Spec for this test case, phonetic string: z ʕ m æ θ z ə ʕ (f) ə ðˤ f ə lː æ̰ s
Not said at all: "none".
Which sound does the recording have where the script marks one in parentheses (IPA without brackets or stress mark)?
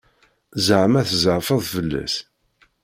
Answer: f